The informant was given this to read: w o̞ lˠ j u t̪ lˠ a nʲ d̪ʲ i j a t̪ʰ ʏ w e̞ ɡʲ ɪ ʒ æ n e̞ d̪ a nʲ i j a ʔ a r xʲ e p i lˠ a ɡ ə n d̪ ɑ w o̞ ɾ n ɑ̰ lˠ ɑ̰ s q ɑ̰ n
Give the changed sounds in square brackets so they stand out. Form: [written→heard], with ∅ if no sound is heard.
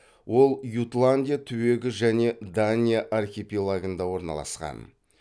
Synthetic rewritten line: w o̞ lˠ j u t̪ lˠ a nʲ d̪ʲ i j a t̪ʰ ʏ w e̞ ɡʲ ɪ ʒ æ n e̞ d̪ a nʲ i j a ʔ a r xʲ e p i lˠ a ɡ ə n d̪ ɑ w o̞ ɾ n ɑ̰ lˠ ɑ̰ s q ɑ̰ n

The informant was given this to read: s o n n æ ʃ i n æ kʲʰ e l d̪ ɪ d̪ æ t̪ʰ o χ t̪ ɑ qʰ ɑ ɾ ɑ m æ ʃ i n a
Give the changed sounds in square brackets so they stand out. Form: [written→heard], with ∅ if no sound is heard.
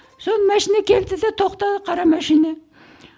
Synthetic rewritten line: s o n [n→m] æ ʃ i n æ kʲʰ e l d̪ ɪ d̪ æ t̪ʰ o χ t̪ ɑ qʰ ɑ ɾ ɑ m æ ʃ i n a

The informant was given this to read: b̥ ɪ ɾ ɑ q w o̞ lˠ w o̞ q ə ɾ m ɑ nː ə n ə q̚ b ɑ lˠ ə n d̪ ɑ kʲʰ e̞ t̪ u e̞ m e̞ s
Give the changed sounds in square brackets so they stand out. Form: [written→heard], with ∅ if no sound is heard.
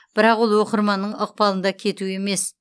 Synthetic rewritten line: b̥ ɪ ɾ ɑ q w o̞ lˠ w o̞ q ə ɾ m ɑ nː ə [n→ɴ] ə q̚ [b→p] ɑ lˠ ə n d̪ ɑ kʲʰ e̞ t̪ u e̞ m e̞ s

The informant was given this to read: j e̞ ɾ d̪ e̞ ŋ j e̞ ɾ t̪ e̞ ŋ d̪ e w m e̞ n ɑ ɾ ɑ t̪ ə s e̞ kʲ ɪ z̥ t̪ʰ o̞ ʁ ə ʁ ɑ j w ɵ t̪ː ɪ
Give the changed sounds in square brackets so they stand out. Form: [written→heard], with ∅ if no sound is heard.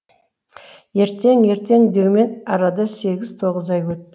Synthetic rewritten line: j e̞ ɾ [d̪→t̪] e̞ ŋ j e̞ ɾ t̪ e̞ ŋ d̪ e w m e̞ n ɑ ɾ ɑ [t̪→d̪] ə s e̞ [kʲ→ɡʲ] ɪ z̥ t̪ʰ o̞ ʁ ə [ʁ→z] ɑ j w ɵ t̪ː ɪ

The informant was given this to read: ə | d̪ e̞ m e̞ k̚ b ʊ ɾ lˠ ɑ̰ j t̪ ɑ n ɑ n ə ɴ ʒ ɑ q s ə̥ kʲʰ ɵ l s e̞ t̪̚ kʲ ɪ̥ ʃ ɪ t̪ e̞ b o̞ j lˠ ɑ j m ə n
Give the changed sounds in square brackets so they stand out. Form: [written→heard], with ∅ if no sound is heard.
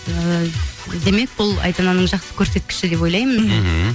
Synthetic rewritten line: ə | d̪ e̞ m e̞ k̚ b ʊ [ɾ→∅] lˠ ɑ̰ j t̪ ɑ n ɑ n ə ɴ ʒ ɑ q s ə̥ kʲʰ ɵ [l→ɾ] s e̞ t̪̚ kʲ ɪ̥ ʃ ɪ [t̪→d̪] e̞ [b→p] o̞ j lˠ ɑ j m ə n

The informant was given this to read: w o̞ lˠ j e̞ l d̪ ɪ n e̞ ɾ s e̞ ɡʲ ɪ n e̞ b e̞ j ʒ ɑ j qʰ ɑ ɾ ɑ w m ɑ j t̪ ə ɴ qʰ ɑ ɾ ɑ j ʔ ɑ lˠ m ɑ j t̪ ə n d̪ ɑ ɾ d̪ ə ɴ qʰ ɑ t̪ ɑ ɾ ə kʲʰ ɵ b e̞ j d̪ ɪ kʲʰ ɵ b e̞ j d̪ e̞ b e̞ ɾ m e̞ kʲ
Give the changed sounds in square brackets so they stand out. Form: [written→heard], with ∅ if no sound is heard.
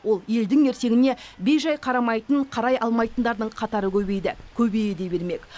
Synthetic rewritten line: w o̞ lˠ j e̞ l d̪ ɪ [n→ŋ] e̞ ɾ s e̞ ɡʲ ɪ n e̞ b e̞ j ʒ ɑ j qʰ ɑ ɾ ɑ [w→∅] m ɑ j t̪ ə ɴ qʰ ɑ ɾ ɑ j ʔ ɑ lˠ m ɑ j t̪ ə n d̪ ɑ ɾ d̪ ə ɴ qʰ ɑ t̪ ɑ ɾ ə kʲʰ ɵ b e̞ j d̪ ɪ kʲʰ ɵ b e̞ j d̪ e̞ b e̞ ɾ m e̞ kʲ

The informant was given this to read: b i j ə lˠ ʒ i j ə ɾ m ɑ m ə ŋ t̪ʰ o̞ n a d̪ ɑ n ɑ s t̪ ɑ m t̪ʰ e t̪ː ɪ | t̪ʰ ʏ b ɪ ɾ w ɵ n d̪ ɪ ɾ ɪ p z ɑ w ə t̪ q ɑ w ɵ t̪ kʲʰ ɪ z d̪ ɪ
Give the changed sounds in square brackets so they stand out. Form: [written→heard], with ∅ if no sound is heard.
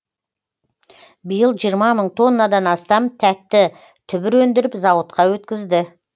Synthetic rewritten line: b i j ə lˠ ʒ i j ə ɾ m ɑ m ə [ŋ→ɴ] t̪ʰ o̞ [n→nː] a d̪ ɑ n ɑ s t̪ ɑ m t̪ʰ [e→æ] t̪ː ɪ | t̪ʰ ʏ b ɪ ɾ w ɵ n d̪ ɪ ɾ ɪ p z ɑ w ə t̪ q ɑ w ɵ t̪ [kʲʰ→kʲ] ɪ z d̪ ɪ

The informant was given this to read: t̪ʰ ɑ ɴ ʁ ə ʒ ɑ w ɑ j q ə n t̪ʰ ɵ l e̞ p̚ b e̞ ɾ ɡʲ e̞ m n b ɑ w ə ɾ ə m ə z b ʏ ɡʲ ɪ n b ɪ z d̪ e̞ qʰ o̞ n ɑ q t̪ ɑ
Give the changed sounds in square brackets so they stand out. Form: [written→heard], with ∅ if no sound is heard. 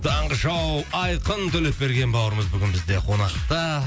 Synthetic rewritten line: t̪ʰ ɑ ɴ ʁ ə ʒ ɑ w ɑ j q ə n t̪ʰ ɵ l e̞ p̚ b e̞ ɾ ɡʲ e̞ [m→∅] n b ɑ w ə ɾ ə m ə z b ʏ ɡʲ ɪ n b ɪ z d̪ e̞ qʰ o̞ n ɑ q t̪ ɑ

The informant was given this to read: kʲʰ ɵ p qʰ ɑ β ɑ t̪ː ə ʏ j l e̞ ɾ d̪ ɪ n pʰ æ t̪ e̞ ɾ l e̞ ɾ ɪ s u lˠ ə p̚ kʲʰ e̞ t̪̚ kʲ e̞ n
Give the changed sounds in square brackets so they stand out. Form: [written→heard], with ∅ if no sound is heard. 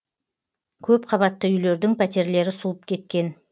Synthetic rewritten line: kʲʰ ɵ p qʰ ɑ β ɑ t̪ː ə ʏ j l e̞ ɾ d̪ ɪ [n→ŋ] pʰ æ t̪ e̞ ɾ l e̞ ɾ ɪ s u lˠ ə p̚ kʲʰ e̞ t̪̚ kʲ e̞ n

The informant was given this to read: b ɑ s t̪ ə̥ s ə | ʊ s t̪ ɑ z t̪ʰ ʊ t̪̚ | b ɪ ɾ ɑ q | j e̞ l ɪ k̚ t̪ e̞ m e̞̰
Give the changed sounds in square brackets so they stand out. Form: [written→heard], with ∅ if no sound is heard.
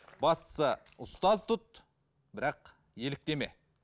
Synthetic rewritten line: b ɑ s t̪ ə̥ s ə | ʊ s t̪ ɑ z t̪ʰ ʊ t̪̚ | b ɪ ɾ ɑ q | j e̞ l ɪ k̚ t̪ e̞ m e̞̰

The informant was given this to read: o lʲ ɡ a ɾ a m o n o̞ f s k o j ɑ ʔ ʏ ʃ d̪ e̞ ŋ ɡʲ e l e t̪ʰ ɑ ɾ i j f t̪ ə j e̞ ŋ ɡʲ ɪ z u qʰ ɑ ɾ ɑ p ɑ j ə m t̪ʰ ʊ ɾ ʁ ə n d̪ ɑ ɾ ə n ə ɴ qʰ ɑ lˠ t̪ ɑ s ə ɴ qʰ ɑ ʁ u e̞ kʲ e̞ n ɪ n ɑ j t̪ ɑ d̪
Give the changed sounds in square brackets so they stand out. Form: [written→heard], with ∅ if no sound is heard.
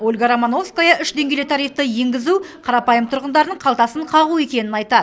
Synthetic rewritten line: o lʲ ɡ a ɾ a m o n o̞ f s k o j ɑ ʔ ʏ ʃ d̪ e̞ ŋ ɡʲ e l e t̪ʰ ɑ ɾ i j f t̪ ə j e̞ ŋ ɡʲ ɪ z u qʰ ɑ ɾ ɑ p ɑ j ə m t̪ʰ ʊ ɾ ʁ ə n d̪ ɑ ɾ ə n ə ɴ qʰ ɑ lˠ t̪ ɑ s ə ɴ qʰ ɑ ʁ u e̞ kʲ e̞ n ɪ n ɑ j t̪ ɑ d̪

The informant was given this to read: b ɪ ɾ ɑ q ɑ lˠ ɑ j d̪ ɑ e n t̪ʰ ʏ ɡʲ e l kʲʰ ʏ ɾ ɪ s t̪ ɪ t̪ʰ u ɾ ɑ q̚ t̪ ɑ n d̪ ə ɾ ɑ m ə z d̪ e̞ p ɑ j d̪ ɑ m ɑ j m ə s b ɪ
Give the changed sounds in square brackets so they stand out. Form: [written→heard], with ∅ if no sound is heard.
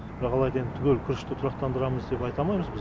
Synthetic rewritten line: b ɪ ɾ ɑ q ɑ lˠ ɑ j d̪ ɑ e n t̪ʰ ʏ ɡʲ e l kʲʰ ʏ ɾ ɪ [s→ʃ] t̪ ɪ t̪ʰ [u→ʊ] ɾ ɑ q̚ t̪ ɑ n d̪ ə ɾ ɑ m ə z d̪ e̞ p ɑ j [d̪→t̪] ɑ m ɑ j m ə [s→z] b ɪ

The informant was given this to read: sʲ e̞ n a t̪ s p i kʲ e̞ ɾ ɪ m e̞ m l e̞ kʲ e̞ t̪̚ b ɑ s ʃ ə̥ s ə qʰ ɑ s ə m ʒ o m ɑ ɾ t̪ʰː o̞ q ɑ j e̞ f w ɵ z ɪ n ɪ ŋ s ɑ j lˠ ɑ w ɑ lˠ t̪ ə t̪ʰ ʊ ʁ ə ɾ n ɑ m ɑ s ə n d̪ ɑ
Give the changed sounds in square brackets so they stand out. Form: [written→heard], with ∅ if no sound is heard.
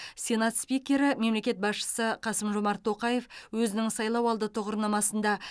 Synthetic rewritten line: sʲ e̞ n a t̪ s p i kʲ e̞ ɾ ɪ m e̞ m l e̞ kʲ e̞ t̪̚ b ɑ s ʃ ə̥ s ə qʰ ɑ s ə m ʒ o m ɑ ɾ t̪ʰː o̞ q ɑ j e̞ f w ɵ z ɪ n ɪ ŋ s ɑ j lˠ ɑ w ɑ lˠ [t̪→d̪] ə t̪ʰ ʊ ʁ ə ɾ n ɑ m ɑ s ə n d̪ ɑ

